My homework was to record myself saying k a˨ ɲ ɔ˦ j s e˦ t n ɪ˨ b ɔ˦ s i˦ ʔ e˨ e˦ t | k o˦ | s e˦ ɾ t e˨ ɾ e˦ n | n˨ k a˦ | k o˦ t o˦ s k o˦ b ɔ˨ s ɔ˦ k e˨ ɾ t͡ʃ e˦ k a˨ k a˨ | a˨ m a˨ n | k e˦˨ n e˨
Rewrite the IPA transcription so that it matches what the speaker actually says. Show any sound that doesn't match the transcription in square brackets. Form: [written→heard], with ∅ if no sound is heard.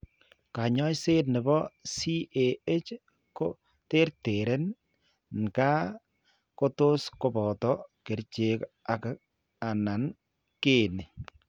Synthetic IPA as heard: k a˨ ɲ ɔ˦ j s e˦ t n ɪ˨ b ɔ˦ s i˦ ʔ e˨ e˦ [t→t͡ʃ] | k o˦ | [s→t] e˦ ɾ t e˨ ɾ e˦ n | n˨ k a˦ | k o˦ t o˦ s k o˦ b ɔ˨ [s→t] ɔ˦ k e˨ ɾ t͡ʃ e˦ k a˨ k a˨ | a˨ [m→n] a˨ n | k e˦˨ n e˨